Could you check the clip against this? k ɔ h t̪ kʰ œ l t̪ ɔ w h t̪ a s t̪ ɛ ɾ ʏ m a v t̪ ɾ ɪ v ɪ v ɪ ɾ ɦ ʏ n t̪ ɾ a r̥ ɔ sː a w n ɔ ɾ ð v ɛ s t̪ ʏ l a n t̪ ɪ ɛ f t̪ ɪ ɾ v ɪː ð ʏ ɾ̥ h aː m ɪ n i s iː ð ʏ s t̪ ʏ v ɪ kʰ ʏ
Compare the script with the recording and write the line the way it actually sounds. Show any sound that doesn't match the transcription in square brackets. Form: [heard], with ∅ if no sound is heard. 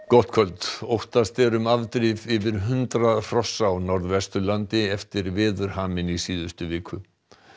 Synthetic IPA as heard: k ɔ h t̪ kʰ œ l t̪ [o] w h t̪ a s t̪ ɛ ɾ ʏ m a v t̪ ɾ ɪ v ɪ v ɪ ɾ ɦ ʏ n t̪ ɾ a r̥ ɔ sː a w n ɔ ɾ ð v ɛ s t̪ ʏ l a n t̪ ɪ ɛ f t̪ ɪ ɾ v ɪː ð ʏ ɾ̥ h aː m ɪ n i s iː ð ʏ s t̪ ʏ v [ɪː] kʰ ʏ

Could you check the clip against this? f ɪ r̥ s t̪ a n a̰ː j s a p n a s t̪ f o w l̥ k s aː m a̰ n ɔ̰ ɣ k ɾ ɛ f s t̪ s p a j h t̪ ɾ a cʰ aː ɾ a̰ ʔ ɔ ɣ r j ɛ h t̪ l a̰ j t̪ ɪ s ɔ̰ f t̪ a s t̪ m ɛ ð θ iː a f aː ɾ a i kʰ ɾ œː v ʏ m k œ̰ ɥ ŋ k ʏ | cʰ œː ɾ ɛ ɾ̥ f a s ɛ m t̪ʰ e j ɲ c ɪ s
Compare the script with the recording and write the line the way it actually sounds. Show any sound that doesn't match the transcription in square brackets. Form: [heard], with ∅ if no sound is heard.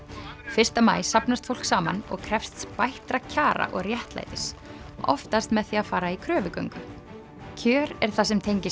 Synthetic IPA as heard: f ɪ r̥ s t̪ a [m] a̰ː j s a p n a s t̪ f o w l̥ k s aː m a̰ n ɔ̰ ɣ [kʰ] ɾ ɛ f s t̪ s p a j h t̪ ɾ a cʰ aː ɾ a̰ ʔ ɔ ɣ r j ɛ h t̪ l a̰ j t̪ ɪ s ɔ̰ f t̪ a s t̪ m ɛ ð θ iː a f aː ɾ a i kʰ ɾ œː v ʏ [∅] k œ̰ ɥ ŋ k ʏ | cʰ œː ɾ ɛ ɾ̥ [θ] a s ɛ m t̪ʰ e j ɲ c ɪ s

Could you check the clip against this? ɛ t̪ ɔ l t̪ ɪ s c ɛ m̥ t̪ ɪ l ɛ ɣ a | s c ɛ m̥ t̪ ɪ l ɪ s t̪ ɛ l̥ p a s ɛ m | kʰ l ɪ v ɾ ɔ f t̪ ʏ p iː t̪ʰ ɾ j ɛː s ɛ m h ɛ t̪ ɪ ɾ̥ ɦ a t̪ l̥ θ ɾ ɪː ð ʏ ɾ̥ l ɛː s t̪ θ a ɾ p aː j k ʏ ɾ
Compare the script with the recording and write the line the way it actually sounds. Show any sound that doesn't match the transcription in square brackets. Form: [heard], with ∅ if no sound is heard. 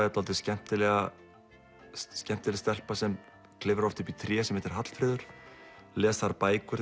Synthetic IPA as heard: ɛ t̪ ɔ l t̪ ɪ s c ɛ m̥ t̪ ɪ l ɛ ɣ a | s c ɛ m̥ t̪ ɪ l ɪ s t̪ ɛ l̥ p a s ɛ m | kʰ l ɪ v ɾ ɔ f t̪ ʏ p [i] t̪ʰ ɾ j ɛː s ɛ m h ɛ t̪ ɪ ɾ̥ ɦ a t̪ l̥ [f] ɾ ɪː ð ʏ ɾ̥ l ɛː s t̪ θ a ɾ p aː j k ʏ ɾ

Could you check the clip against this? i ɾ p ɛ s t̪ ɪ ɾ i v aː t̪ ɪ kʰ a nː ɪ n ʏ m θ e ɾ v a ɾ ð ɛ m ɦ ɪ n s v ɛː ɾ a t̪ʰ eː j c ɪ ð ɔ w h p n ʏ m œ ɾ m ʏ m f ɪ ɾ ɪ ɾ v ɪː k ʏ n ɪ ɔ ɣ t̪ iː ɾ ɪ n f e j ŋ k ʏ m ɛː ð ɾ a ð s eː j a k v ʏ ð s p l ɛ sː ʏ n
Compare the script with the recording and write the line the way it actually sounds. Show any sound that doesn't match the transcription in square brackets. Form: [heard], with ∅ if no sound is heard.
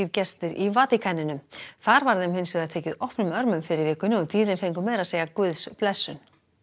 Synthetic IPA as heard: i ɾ [c] ɛ s t̪ ɪ ɾ i v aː t̪ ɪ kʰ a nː ɪ n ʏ m θ [a] ɾ v a ɾ ð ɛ m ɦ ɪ n s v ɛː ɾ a t̪ʰ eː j c ɪ ð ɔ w h p n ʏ m œ ɾ m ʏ m f ɪ ɾ ɪ ɾ v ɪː k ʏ n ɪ ɔ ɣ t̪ iː ɾ ɪ n f e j ŋ k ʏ m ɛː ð ɾ a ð s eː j a k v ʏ ð s p l ɛ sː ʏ n

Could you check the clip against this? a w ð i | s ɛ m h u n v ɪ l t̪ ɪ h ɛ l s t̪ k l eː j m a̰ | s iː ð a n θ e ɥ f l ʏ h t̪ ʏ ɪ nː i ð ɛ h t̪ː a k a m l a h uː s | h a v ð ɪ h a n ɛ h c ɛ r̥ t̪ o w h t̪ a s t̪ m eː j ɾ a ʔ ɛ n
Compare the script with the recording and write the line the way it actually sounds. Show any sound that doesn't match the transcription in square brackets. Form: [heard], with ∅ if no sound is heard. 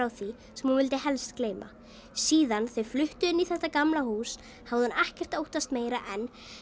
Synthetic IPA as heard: a w [θ] i | s ɛ m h u n v ɪ l t̪ ɪ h ɛ l s t̪ k l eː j m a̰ | s iː ð a n θ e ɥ f l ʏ h t̪ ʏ ɪ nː i [θ] ɛ h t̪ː a k a m l a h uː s | h a v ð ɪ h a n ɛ h c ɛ r̥ t̪ o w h t̪ a s t̪ m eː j ɾ a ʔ ɛ n

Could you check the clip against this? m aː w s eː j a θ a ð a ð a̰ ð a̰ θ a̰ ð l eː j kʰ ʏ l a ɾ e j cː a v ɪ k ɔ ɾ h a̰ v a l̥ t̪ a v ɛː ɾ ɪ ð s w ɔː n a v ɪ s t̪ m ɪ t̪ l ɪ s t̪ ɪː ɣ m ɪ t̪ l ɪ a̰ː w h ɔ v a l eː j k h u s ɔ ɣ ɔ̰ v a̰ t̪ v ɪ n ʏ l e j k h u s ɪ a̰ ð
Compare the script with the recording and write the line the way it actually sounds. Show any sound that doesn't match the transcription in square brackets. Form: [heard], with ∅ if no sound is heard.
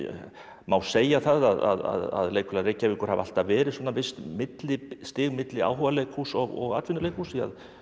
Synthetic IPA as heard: m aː w s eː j a θ a ð a ð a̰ ð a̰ [ð] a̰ ð l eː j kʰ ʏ l a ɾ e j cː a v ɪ k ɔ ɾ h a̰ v a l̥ t̪ a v ɛː ɾ ɪ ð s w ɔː n a v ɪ s t̪ m ɪ t̪ l ɪ s t̪ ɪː ɣ m ɪ t̪ l ɪ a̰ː w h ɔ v a l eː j k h u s ɔ ɣ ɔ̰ [ɣ] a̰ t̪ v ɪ n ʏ l e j k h u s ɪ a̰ ð

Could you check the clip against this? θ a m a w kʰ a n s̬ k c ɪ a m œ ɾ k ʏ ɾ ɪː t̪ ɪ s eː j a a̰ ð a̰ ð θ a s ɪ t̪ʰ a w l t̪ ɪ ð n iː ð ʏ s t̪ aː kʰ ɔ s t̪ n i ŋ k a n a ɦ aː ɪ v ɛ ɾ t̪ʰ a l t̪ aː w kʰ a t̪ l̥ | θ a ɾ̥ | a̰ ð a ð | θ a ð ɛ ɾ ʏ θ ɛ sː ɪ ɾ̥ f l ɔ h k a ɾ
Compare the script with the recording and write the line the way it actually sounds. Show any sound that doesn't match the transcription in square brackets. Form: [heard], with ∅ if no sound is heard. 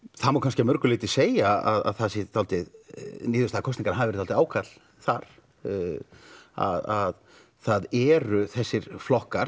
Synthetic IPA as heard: θ a m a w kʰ a n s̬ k c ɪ a m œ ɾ k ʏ [l] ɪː t̪ ɪ s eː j a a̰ ð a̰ ð θ a s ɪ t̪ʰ a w l t̪ ɪ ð n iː ð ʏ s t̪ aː kʰ ɔ s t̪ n i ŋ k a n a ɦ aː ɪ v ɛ ɾ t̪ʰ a l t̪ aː w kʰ a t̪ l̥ | θ a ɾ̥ | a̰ ð a ð | θ a ð ɛ ɾ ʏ θ ɛ sː ɪ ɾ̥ f l ɔ h k a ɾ

